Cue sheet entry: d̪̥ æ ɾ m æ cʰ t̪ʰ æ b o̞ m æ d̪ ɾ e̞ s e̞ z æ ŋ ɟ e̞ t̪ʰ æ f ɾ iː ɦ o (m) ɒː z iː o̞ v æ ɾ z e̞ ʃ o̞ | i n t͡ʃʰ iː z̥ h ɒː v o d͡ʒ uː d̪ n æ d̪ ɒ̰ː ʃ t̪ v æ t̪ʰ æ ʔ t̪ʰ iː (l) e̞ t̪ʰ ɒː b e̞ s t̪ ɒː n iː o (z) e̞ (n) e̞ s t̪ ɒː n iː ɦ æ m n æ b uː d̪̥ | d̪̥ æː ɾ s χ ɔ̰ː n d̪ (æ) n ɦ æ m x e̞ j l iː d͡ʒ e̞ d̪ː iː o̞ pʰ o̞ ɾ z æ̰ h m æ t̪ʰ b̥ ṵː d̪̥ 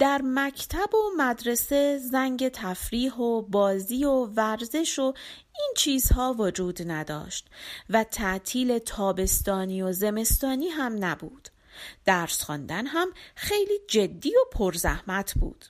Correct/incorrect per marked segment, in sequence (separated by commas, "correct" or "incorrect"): incorrect, correct, correct, incorrect, correct